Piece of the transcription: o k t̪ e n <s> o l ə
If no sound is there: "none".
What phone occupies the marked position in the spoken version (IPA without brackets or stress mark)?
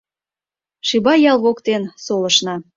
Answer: s